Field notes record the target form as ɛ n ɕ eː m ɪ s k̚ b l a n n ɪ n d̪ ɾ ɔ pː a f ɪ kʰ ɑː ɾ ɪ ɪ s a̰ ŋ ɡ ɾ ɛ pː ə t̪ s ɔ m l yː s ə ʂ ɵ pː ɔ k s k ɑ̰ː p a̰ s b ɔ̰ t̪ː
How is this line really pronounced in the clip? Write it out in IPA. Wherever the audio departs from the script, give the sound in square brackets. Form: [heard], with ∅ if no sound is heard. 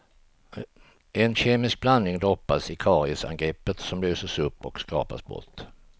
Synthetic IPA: ɛ n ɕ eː m ɪ s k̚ b l a n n ɪ [ŋ] d̪ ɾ ɔ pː a [s] ɪ kʰ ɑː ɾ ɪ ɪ s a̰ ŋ ɡ ɾ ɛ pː ə t̪ s ɔ m l yː s ə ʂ ɵ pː ɔ k s k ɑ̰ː p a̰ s b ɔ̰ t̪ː